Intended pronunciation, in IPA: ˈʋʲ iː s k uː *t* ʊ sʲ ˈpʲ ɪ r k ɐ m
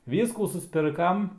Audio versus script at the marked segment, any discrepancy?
yes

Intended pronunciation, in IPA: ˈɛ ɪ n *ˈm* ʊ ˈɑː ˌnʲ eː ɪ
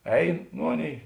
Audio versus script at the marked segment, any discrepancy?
yes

